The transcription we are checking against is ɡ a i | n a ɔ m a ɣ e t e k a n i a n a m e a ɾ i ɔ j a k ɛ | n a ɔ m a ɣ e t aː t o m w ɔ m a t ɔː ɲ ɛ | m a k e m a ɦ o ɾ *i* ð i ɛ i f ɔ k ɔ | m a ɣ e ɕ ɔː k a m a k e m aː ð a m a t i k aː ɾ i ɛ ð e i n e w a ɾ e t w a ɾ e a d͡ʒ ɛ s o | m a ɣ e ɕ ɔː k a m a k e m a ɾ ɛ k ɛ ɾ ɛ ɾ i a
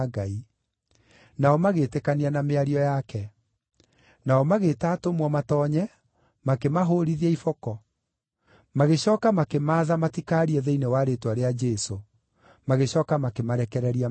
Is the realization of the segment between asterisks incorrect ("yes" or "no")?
no